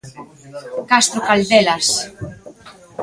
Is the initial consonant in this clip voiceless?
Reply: yes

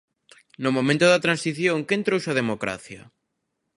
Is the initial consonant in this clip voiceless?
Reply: no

